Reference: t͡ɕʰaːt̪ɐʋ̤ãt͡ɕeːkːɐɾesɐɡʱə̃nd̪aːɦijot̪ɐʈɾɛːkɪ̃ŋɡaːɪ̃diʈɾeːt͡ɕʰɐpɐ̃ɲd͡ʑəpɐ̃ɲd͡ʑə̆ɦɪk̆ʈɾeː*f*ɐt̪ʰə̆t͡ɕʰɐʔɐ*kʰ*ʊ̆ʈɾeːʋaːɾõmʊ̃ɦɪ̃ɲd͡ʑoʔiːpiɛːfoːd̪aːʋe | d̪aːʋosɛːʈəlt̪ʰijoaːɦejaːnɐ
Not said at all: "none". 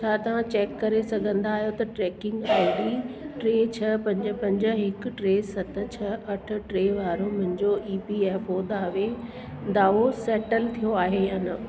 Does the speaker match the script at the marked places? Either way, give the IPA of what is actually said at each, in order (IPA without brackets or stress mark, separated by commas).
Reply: s, ʈʰ